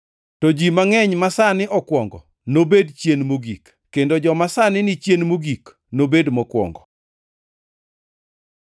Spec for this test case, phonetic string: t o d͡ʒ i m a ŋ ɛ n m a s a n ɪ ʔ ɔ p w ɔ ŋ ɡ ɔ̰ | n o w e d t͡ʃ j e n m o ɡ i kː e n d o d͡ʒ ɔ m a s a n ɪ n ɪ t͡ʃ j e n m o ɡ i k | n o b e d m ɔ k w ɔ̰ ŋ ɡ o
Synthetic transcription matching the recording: t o d͡ʒ i m a ŋ ɛ ɲ m a s a n ɪ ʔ ɔ k w ɔ ŋ ɡ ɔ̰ | n o b e d t͡ʃ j e n m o ɡ i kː e n d o d͡ʒ ɔ m a s a n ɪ n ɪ t͡ʃ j e n m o ɡ i k | n o b e d m ɔ k w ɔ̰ ŋ ɡ ɔ